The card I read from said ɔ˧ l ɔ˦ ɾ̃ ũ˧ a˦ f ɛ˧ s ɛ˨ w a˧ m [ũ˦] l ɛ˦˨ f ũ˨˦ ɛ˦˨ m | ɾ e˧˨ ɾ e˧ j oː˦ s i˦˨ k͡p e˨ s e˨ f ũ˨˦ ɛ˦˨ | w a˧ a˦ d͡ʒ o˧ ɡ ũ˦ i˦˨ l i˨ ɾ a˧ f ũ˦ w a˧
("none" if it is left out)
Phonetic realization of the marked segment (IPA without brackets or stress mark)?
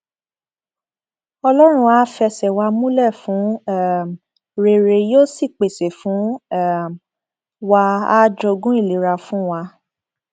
ũ˦